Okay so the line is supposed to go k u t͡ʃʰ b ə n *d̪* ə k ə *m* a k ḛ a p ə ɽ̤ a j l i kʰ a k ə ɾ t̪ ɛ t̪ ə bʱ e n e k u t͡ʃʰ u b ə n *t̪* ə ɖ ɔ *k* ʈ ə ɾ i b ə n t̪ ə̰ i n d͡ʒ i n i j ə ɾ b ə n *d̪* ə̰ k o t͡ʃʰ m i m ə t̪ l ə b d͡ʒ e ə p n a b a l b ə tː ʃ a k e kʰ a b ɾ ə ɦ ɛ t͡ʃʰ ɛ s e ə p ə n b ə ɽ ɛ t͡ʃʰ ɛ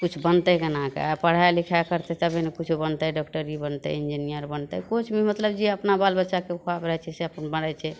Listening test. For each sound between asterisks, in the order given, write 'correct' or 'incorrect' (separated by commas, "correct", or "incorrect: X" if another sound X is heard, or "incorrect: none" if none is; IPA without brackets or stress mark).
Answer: incorrect: t̪, incorrect: n, correct, correct, incorrect: t̪